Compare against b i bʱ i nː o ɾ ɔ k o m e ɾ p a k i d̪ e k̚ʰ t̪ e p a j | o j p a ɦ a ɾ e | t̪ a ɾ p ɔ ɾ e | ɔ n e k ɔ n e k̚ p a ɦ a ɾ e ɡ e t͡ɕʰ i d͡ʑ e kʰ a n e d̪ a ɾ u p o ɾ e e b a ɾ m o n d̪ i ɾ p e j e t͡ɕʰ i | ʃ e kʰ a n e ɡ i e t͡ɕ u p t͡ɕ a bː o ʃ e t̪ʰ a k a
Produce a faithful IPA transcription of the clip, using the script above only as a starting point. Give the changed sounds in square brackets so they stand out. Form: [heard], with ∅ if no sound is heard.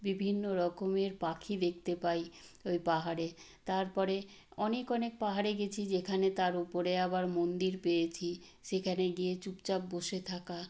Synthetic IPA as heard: b i bʱ i nː o ɾ ɔ k o m e ɾ p a [kʰ] i d̪ e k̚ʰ t̪ e p a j | o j p a ɦ a ɾ e | t̪ a ɾ p ɔ ɾ e | ɔ n e k ɔ n e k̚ p a ɦ a ɾ e ɡ e t͡ɕʰ i d͡ʑ e kʰ a n e [t̪] a ɾ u p o ɾ e [a] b a ɾ m o n d̪ i ɾ p e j e t͡ɕʰ i | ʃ e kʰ a n e ɡ i e t͡ɕ u p t͡ɕ a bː o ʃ e t̪ʰ a k a